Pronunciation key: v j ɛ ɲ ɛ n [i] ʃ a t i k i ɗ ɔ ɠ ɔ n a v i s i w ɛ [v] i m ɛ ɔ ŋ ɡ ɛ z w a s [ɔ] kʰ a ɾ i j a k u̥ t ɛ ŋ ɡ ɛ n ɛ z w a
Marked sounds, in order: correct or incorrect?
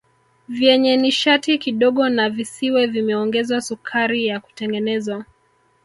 correct, correct, incorrect: u

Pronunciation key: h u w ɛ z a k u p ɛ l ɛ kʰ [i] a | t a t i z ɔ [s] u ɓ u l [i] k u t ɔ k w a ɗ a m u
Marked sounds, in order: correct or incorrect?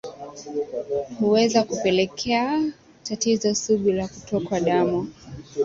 incorrect: ɛ, correct, incorrect: a

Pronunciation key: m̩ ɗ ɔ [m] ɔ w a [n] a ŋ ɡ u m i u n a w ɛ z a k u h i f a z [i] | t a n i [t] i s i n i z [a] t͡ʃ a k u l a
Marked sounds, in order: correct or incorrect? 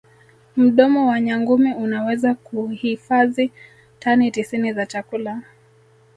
correct, incorrect: ɲ, correct, correct, correct

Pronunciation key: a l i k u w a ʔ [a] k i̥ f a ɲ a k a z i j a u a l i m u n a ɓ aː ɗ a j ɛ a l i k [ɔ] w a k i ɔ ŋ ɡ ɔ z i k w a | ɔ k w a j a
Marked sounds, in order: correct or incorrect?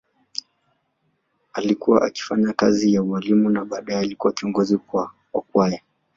correct, incorrect: u

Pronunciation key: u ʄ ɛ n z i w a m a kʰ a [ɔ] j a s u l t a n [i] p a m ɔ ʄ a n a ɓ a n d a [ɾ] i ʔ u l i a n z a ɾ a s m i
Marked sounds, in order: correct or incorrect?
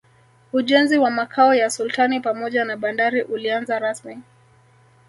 correct, correct, correct

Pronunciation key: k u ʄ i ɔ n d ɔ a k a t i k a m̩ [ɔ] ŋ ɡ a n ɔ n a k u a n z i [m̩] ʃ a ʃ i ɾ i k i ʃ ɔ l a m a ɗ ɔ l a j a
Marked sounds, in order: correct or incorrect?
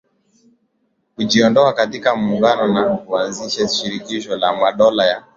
incorrect: u, incorrect: none

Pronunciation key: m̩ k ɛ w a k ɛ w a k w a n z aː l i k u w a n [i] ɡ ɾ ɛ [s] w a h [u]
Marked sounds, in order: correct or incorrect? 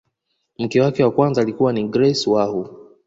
correct, correct, correct

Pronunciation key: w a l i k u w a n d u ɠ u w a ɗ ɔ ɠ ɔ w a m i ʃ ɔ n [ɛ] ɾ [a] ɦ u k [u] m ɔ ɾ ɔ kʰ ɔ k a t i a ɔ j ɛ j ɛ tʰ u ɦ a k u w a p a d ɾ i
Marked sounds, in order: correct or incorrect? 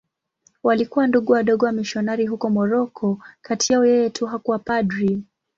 incorrect: a, incorrect: i, incorrect: ɔ

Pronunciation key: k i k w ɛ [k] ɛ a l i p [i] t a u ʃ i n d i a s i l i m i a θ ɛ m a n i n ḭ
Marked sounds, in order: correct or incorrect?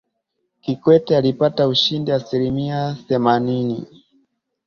incorrect: t, incorrect: a

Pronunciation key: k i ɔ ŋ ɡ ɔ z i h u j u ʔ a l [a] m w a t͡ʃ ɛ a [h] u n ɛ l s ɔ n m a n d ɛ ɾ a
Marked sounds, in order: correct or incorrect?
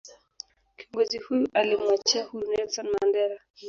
incorrect: i, correct

